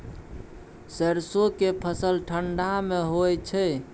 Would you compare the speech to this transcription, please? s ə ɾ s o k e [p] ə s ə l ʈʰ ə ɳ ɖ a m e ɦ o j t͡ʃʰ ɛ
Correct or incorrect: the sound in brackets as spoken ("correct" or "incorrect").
incorrect